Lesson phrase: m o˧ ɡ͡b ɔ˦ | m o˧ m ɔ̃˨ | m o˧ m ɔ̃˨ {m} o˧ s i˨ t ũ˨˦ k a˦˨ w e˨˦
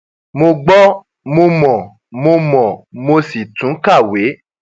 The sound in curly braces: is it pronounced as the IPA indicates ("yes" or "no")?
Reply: yes